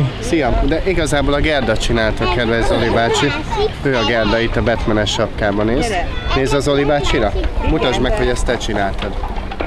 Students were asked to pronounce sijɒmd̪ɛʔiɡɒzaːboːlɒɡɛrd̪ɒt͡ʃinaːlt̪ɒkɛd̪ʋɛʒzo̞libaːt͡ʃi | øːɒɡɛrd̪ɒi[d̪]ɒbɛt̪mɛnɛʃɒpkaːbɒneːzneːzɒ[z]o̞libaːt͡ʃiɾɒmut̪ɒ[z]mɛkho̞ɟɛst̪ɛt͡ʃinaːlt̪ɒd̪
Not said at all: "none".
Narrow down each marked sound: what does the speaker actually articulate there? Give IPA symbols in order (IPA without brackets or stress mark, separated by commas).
t̪, z, ʒ